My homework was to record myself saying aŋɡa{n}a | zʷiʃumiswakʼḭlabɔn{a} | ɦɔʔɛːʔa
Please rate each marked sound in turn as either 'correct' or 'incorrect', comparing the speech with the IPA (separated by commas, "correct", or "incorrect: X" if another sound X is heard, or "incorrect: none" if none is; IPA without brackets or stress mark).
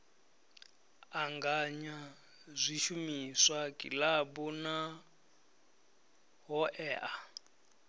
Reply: incorrect: ɲ, correct